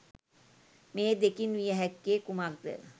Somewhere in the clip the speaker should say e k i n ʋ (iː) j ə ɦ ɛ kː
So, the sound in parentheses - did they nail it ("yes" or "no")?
no